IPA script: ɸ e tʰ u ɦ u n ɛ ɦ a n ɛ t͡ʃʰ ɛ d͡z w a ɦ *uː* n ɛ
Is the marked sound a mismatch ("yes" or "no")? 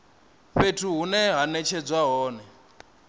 yes